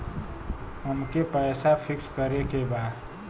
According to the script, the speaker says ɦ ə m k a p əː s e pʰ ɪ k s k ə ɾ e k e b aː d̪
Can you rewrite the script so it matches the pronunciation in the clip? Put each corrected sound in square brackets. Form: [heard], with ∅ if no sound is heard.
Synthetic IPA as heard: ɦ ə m k [e] p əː s [a] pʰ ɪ k s k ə ɾ e k e b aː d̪